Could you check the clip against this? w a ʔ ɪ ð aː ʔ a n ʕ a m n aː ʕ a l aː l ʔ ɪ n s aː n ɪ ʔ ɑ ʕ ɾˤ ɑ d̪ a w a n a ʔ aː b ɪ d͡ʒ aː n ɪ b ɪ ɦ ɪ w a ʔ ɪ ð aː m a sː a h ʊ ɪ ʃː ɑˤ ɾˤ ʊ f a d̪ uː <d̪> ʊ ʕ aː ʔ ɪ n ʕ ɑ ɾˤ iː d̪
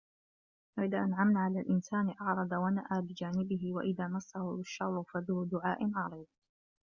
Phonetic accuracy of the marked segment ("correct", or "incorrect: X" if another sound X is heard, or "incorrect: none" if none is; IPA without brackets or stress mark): correct